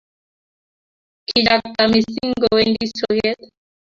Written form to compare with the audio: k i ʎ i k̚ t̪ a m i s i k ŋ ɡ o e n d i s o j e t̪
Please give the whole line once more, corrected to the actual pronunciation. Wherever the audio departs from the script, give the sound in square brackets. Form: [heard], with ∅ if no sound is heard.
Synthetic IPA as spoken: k i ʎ [a] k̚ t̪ a m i s i [∅] ŋ ɡ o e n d i s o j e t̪